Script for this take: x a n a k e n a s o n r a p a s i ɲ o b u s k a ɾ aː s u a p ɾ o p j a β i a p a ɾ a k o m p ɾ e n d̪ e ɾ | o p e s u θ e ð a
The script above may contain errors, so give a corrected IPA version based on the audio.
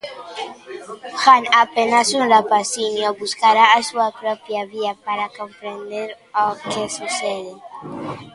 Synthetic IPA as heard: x a n a p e n a s u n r a p a s i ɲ o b u s k a ɾ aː s u a p ɾ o p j a β i a p a ɾ a k o m p ɾ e n d̪ e ɾ | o k e s u s e ð e